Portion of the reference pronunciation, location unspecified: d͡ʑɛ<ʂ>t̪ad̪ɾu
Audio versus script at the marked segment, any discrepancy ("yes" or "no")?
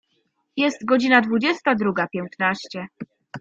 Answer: yes